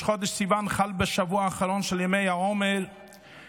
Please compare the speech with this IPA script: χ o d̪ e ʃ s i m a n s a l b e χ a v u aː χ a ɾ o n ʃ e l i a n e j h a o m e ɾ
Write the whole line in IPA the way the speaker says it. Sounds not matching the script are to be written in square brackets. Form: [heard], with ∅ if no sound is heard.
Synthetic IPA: χ o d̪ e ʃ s i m a n [χ] a l b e [ʃ] a v u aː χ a ɾ o n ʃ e l [j] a [m] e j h a o m e ɾ